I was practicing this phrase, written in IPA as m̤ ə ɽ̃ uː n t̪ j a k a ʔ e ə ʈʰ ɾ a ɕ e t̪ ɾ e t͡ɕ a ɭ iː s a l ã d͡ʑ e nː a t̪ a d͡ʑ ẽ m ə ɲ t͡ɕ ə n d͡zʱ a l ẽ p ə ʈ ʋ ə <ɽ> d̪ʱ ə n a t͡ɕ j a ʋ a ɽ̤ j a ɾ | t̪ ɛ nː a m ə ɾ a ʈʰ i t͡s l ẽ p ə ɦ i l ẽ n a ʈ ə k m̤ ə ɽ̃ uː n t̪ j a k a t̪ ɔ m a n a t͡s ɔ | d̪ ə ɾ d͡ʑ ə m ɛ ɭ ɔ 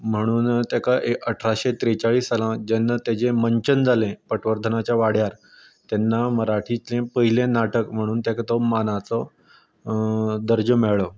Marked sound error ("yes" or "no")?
yes